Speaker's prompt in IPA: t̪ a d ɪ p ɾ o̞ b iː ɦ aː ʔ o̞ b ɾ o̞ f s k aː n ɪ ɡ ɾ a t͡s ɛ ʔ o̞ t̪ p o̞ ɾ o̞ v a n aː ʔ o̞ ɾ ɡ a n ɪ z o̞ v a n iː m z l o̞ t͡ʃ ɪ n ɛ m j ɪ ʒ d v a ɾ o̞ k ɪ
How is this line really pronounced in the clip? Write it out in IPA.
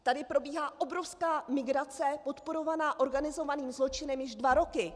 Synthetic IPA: t̪ a d ɪ p ɾ o̞ b iː ɦ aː ʔ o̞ b ɾ o̞ f s k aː m ɪ ɡ ɾ a t͡s ɛ p o̞ t̪ p o̞ ɾ o̞ v a n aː ʔ o̞ ɾ ɡ a n ɪ z o̞ v a n iː m z l o̞ t͡ʃ ɪ n ɛ m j ɪ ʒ d v a ɾ o̞ k ɪ